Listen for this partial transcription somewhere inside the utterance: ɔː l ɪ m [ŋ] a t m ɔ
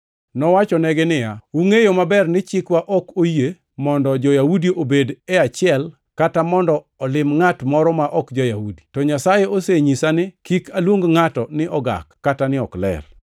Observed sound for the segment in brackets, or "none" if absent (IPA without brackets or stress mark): ŋ